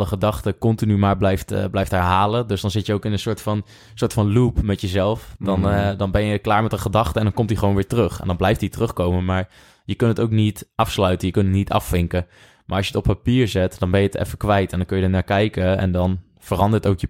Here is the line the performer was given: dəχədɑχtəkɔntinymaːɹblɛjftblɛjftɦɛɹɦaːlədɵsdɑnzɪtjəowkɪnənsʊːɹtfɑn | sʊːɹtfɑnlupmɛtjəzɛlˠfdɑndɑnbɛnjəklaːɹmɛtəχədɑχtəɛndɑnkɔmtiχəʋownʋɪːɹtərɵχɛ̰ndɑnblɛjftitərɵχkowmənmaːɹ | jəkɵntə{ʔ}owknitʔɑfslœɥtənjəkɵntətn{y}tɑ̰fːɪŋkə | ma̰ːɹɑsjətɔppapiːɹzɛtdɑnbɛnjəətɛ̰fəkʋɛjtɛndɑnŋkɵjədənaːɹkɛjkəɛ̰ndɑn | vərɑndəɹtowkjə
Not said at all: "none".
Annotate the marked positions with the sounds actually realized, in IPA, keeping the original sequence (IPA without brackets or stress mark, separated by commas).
t, i